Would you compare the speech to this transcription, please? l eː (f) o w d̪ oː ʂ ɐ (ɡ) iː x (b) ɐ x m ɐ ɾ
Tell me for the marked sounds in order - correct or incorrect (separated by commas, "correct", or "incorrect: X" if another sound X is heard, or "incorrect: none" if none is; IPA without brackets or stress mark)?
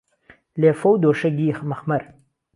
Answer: correct, correct, incorrect: m